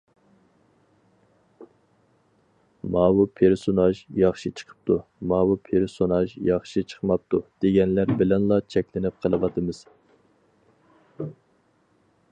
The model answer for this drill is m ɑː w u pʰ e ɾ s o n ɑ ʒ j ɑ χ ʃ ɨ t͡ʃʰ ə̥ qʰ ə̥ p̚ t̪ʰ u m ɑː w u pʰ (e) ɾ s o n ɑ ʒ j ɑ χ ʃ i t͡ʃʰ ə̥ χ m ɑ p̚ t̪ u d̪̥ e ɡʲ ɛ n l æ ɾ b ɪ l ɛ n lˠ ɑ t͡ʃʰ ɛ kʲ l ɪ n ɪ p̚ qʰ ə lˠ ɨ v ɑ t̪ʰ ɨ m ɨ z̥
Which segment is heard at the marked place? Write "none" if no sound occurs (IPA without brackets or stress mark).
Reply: e